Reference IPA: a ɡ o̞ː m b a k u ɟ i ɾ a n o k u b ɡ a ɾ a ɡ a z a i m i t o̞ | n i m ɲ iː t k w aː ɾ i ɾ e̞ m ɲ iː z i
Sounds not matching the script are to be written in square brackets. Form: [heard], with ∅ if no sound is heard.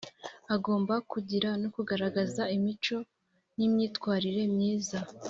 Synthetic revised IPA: a ɡ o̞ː m b a k u ɟ i ɾ a n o k u [∅] ɡ a ɾ a ɡ a z a i m i [t͡ʃ] o̞ | n i m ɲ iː t k w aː ɾ i ɾ e̞ m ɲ iː z [a]